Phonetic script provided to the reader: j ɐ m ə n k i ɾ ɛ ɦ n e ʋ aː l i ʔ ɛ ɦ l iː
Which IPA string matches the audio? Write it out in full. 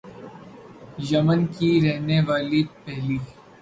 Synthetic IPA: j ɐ m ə n k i ɾ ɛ ɦ n e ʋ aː l i p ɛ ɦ l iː